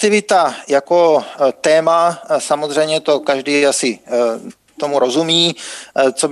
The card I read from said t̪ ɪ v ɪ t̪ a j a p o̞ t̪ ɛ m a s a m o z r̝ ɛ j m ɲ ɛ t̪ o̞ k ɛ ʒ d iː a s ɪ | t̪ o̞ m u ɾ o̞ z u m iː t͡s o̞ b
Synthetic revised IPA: t̪ ɪ v ɪ t̪ a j a k o̞ t̪ ɛː m a s a m o z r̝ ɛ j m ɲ ɛ t̪ o̞ k a ʒ d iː a s ɪ | t̪ o̞ m u ɾ o̞ z u m iː t͡s o̞ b